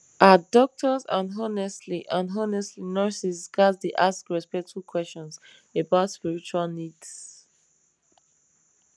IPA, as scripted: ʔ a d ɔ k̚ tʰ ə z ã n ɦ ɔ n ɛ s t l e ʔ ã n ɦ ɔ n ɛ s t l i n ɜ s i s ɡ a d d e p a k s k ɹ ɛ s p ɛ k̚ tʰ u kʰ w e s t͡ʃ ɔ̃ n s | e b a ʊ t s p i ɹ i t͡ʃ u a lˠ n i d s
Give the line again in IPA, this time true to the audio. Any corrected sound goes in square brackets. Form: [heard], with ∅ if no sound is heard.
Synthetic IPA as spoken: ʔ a d ɔ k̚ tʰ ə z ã n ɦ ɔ n ɛ s t l [i] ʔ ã n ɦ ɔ n ɛ s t l i n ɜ s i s ɡ a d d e [ʔ] a [∅] s k ɹ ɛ s p ɛ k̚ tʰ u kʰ w [ɛ] s t͡ʃ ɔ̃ n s | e b a ʊ t s p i ɹ i t͡ʃ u a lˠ n i d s